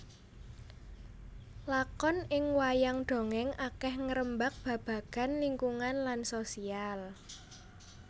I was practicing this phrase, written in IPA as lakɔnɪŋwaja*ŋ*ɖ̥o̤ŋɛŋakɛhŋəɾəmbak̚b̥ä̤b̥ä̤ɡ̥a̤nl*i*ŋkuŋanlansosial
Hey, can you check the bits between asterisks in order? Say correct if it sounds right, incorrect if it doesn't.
correct, correct

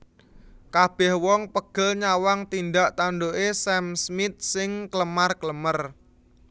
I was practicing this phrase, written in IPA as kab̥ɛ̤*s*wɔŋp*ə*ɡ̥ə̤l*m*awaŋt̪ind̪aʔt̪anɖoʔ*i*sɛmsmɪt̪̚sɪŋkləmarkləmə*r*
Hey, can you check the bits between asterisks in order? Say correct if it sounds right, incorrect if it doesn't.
incorrect: h, correct, incorrect: ɲ, incorrect: e, correct

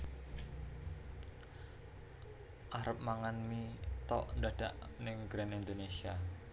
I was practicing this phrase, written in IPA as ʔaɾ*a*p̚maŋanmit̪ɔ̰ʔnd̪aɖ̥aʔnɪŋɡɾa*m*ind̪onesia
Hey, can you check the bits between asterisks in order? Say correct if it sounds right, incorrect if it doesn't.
incorrect: ə, incorrect: n

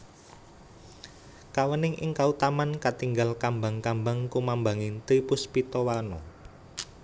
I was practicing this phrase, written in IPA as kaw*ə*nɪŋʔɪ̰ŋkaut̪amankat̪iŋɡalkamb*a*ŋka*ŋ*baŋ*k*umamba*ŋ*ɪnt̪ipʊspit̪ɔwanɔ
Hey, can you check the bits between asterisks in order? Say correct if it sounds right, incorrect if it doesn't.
correct, correct, incorrect: m, correct, correct

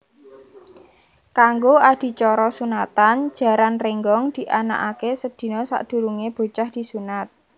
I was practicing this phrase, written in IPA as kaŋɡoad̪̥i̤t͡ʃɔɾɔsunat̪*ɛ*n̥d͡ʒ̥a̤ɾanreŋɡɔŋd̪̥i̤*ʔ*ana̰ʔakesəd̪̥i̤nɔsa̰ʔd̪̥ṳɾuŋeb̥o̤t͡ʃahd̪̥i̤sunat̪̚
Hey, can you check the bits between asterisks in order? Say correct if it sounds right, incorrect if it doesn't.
incorrect: a, correct

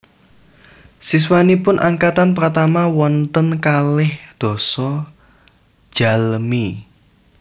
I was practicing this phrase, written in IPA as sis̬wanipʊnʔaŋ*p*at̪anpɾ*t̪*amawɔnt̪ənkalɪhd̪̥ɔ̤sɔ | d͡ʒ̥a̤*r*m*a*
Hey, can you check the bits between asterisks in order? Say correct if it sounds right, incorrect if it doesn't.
incorrect: k, correct, incorrect: l, incorrect: i

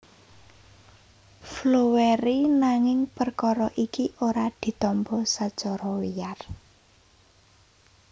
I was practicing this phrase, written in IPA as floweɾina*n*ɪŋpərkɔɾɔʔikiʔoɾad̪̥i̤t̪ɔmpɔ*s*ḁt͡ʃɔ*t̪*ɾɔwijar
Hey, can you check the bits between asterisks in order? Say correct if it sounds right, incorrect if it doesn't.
incorrect: ŋ, correct, incorrect: none

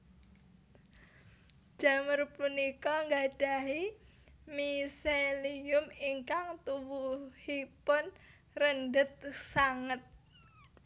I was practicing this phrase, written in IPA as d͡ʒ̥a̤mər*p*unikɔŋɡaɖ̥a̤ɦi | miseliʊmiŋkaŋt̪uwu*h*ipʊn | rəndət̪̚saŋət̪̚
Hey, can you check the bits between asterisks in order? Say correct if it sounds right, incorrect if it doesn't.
correct, correct

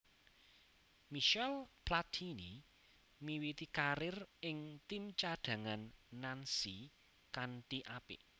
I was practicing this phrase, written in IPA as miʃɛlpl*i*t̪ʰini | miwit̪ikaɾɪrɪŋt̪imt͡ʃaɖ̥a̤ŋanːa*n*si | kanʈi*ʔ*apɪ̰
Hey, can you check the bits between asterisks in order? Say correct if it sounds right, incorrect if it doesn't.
incorrect: a, correct, correct

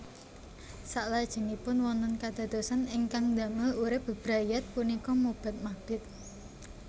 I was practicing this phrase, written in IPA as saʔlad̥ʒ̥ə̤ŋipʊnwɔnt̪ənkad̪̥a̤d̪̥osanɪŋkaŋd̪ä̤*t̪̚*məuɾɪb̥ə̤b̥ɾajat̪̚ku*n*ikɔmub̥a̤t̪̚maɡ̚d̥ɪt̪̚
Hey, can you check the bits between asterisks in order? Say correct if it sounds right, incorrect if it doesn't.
incorrect: none, correct

